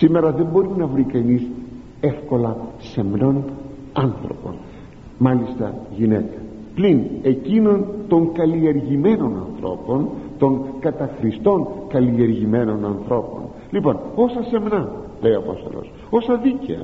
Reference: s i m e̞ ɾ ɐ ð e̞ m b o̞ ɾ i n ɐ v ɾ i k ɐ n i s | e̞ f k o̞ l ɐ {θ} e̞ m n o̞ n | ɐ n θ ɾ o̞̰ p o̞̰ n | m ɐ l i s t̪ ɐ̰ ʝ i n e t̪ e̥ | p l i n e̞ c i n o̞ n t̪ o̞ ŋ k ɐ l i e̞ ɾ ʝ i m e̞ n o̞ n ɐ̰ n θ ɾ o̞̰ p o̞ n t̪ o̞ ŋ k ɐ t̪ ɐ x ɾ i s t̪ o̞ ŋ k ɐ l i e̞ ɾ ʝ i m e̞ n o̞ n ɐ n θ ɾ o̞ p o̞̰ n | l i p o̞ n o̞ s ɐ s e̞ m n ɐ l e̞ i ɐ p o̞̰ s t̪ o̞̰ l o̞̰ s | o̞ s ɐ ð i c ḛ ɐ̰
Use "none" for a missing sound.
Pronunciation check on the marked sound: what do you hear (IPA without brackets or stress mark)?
s